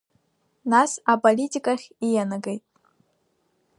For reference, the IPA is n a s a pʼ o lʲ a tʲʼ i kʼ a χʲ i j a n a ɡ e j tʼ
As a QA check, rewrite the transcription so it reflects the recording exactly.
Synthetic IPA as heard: n a s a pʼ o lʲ i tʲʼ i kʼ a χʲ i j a n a ɡ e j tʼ